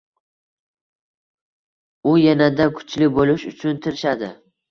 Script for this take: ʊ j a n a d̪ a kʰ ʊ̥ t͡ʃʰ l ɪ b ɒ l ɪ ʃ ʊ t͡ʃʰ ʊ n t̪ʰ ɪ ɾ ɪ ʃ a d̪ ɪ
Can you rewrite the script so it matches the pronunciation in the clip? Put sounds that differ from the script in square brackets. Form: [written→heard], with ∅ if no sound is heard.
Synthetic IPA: ʊ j a n a d̪ a kʰ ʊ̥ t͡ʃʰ l ɪ b [ɒ→o] l ɪ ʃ ʊ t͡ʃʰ ʊ n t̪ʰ ɪ ɾ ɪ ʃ a d̪ ɪ

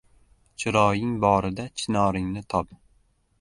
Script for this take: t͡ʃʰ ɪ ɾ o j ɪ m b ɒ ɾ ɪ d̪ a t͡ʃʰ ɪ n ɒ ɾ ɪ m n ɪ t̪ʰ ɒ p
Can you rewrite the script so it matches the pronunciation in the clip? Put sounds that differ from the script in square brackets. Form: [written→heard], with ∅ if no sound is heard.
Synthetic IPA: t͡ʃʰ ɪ ɾ [o→ɒ] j ɪ [m→ŋ] b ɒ ɾ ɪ d̪ a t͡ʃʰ ɪ n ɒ ɾ ɪ [m→ŋ] n ɪ t̪ʰ ɒ p

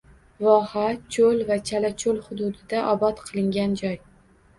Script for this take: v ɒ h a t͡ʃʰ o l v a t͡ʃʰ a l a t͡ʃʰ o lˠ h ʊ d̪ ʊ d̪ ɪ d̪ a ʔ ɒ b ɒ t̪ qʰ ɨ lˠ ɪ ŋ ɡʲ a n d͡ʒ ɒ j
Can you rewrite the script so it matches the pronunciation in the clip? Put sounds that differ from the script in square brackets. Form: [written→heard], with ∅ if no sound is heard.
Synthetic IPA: v ɒ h a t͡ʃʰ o l v a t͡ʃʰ a l a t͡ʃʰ o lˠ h ʊ d̪ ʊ d̪ ɪ d̪ a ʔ ɒ b ɒ t̪ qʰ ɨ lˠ ɪ ŋ ɡʲ a n d͡ʒ ɒ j

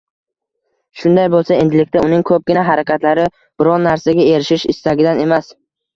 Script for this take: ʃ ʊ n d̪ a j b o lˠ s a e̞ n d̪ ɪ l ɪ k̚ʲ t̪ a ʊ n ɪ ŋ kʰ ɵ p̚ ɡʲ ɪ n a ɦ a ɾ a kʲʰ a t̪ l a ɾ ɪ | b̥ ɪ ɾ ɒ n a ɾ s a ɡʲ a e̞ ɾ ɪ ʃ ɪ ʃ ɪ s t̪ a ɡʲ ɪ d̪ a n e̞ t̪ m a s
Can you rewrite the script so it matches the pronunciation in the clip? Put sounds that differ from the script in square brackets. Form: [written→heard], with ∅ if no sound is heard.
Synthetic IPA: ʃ ʊ n d̪ a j b o lˠ s a e̞ n d̪ ɪ l ɪ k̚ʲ t̪ a ʊ n ɪ ŋ kʰ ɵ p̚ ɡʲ ɪ n a ɦ a ɾ a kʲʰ a t̪ l a ɾ ɪ | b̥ ɪ ɾ ɒ [n→nː] a ɾ s a ɡʲ a e̞ ɾ ɪ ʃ ɪ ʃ ɪ s t̪ a ɡʲ ɪ d̪ a n e̞ [t̪→∅] m a s

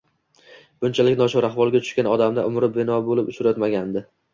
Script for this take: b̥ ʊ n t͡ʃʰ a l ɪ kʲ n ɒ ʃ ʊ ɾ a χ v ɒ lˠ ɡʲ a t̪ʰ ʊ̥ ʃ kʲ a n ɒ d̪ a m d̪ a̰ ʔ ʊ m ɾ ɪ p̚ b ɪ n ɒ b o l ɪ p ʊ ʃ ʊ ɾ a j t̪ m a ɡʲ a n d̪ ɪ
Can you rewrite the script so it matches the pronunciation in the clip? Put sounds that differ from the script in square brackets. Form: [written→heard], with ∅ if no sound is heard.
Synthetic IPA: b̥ ʊ n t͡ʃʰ a l ɪ kʲ n ɒ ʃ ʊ ɾ a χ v ɒ lˠ ɡʲ a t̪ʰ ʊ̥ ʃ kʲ a n ɒ d̪ a m d̪ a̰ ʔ ʊ m ɾ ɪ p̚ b ɪ n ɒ b o l ɪ p ʊ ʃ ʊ ɾ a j t̪ m a ɡʲ a n d̪ ɪ

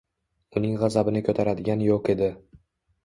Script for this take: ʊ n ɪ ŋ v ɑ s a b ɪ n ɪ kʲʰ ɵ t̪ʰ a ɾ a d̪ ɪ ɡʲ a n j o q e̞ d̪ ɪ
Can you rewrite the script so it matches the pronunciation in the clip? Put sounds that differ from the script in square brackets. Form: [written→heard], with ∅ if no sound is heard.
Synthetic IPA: ʊ n ɪ ŋ [v→ʁ] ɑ [s→z] a b ɪ n ɪ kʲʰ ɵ t̪ʰ a ɾ a d̪ ɪ ɡʲ a n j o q e̞ d̪ ɪ

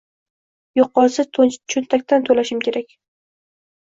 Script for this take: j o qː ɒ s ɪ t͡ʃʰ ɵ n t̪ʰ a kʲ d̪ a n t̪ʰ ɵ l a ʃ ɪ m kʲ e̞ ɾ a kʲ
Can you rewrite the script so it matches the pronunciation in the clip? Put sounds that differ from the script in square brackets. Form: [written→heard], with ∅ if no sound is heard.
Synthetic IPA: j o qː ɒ s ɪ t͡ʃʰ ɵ n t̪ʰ a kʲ [d̪→t̪] a n t̪ʰ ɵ l a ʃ ɪ m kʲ e̞ ɾ a kʲ

